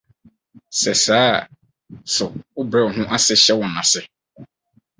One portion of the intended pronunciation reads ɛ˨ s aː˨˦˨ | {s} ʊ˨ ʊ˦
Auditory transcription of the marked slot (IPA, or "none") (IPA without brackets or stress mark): s